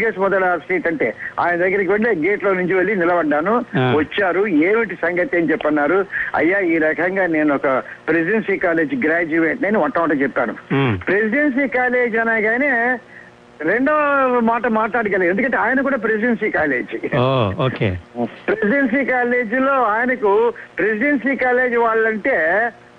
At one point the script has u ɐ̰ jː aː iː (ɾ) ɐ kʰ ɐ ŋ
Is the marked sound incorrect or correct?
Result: correct